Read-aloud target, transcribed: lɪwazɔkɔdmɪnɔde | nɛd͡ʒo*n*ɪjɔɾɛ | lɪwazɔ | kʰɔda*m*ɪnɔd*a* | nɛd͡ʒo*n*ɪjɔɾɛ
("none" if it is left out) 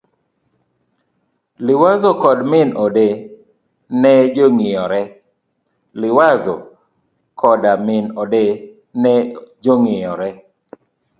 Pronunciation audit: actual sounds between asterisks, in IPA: ŋ, m, e, ŋ

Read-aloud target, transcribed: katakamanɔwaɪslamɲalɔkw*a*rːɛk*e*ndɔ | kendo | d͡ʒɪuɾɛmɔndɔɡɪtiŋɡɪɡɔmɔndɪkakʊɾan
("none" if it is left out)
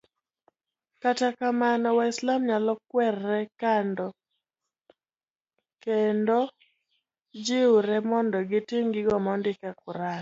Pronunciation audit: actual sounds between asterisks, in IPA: ɛ, a

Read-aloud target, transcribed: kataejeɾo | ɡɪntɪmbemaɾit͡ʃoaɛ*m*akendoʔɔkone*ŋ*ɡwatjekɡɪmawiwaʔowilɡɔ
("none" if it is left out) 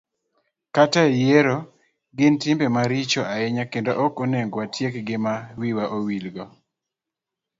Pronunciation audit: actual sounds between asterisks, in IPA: ɲ, ŋ

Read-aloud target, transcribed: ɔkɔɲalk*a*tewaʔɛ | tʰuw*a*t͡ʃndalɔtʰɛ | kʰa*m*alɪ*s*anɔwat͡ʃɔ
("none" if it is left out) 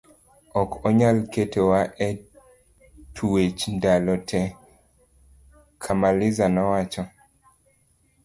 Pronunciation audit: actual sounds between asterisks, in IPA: e, e, m, z

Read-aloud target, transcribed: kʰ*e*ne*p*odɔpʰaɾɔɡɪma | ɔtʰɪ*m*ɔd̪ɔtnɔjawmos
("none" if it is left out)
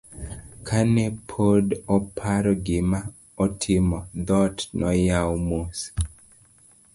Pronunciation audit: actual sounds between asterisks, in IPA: a, pʰ, m

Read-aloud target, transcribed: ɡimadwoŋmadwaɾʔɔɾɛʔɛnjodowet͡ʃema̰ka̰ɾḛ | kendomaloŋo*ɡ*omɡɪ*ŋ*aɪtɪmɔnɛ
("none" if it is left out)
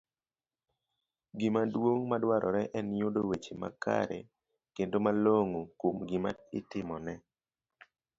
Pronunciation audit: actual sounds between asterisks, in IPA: k, m

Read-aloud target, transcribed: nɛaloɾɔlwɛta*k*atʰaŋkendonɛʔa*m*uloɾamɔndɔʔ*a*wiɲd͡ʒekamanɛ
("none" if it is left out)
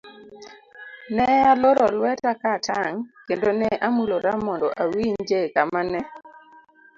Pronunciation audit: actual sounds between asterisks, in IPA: k, m, a

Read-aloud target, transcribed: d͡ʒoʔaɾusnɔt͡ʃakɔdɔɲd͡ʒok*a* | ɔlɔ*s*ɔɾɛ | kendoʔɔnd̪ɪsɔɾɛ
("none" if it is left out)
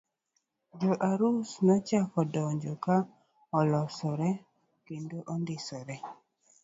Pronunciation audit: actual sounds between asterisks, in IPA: a, s

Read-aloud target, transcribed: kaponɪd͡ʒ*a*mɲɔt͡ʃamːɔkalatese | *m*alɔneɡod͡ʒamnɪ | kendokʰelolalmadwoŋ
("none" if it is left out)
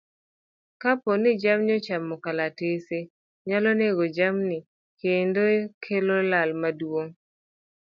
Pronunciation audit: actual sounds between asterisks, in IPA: a, ɲ

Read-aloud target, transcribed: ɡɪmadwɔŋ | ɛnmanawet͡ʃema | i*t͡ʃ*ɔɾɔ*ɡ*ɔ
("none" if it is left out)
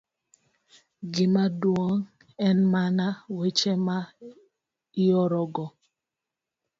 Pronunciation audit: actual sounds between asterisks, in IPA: none, ɡ

